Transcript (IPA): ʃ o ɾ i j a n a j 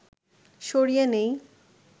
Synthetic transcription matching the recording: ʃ o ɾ i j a n e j